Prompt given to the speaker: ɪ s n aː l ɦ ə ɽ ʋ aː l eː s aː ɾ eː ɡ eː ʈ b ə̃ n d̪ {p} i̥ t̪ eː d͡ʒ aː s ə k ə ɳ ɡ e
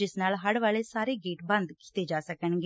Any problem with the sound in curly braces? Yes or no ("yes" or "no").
yes